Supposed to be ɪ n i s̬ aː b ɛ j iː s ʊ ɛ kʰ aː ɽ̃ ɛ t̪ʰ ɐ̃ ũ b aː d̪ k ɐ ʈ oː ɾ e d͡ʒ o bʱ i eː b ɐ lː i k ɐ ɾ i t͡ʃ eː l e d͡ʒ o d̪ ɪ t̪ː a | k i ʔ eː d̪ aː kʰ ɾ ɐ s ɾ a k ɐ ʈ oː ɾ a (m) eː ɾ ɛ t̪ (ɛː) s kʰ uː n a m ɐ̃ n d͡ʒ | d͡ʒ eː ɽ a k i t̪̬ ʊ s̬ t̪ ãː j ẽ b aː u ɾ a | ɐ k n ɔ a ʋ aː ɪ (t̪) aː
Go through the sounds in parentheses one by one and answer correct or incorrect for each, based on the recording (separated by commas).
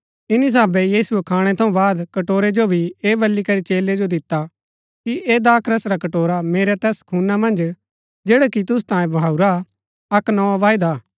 correct, correct, incorrect